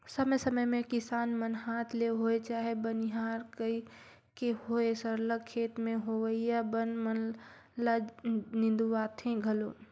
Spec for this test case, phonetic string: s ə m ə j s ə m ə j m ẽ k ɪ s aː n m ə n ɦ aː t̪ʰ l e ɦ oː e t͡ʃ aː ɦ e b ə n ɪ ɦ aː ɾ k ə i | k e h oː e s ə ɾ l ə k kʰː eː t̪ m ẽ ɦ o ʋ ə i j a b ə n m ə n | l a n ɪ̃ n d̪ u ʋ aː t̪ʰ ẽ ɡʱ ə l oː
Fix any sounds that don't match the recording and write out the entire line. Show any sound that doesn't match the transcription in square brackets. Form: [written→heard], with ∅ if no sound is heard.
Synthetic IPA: s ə m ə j s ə m ə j m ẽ k ɪ s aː n m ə n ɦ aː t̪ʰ l e ɦ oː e t͡ʃ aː ɦ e b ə n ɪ ɦ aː ɾ k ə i | k e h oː e s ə ɾ l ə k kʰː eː t̪ m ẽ ɦ o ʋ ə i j a b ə n m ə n | l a n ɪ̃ n d̪ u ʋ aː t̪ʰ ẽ ɡʱ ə l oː